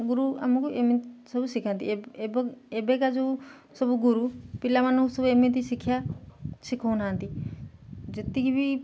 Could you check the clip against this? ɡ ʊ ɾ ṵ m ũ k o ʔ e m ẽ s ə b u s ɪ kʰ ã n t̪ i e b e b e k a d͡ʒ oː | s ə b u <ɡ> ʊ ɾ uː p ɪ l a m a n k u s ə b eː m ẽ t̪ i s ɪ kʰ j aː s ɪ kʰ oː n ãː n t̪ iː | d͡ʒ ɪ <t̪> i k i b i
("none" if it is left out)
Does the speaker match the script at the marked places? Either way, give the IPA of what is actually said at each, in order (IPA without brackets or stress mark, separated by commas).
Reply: ɡ, t̪